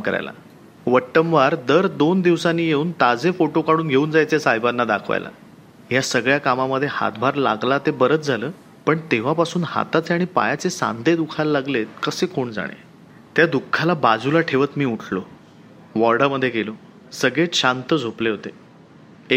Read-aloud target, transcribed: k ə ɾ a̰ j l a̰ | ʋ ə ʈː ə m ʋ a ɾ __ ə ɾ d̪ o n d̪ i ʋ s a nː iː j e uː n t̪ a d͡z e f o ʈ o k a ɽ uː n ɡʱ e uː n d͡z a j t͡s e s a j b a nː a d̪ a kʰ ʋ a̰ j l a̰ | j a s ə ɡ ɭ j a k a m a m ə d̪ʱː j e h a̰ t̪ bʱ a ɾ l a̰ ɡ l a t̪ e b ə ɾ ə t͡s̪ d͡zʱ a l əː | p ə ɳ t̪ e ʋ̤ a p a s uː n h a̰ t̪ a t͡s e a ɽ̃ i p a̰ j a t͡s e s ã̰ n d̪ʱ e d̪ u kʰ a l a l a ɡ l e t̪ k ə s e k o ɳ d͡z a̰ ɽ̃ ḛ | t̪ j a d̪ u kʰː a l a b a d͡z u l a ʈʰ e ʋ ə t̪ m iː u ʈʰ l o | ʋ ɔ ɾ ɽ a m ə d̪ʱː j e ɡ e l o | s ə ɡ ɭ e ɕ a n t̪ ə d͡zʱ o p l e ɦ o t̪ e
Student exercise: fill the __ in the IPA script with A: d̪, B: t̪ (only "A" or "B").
A